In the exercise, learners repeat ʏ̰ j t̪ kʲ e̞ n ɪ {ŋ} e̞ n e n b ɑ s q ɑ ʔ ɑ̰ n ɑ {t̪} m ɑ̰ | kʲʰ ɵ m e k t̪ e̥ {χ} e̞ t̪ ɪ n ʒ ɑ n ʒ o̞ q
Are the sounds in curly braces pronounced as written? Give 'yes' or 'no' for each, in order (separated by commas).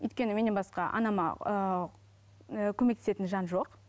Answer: no, no, no